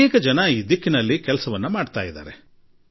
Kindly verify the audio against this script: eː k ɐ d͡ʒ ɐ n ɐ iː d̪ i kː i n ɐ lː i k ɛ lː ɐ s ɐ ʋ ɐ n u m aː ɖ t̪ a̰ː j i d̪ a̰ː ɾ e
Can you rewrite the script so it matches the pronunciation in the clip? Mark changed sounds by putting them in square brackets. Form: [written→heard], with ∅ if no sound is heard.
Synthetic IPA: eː k ɐ d͡ʒ ɐ n ɐ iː d̪ i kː i n ɐ lː i k ɛ [lː→l] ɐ s ɐ ʋ ɐ [n→nː] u m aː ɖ t̪ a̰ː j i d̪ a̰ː ɾ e